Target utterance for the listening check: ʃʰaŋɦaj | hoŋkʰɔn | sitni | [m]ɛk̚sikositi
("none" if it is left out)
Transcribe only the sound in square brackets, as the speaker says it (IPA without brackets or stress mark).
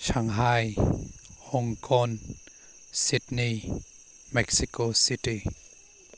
m